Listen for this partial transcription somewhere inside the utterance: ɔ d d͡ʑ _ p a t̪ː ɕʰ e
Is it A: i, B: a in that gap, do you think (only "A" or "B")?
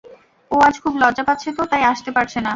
B